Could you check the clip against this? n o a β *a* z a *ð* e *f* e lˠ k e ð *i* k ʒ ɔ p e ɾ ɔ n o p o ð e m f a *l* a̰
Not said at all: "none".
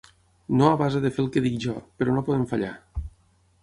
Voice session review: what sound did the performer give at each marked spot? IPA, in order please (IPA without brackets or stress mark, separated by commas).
a, ð, f, i, ʎ